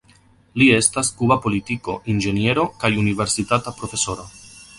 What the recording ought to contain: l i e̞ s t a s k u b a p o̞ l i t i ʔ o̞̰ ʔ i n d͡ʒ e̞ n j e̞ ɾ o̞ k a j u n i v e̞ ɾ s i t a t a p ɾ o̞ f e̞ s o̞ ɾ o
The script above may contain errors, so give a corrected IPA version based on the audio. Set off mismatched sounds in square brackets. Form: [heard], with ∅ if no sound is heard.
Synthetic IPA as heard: l i e̞ s t a s k u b a p o̞ l i t i [k] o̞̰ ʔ i n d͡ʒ e̞ n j e̞ ɾ o̞ k a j u n i v e̞ ɾ s i t a t a p ɾ o̞ f e̞ s o̞ ɾ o